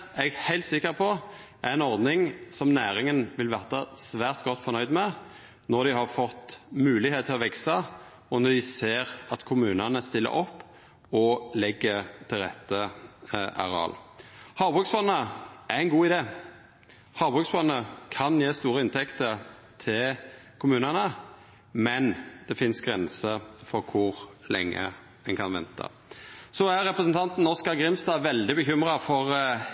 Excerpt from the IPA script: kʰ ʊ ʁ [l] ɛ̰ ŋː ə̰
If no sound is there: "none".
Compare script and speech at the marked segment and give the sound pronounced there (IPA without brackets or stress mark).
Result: l